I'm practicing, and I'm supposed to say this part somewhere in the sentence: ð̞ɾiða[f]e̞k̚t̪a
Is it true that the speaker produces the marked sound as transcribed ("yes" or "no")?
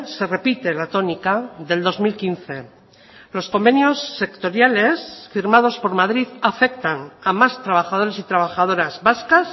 yes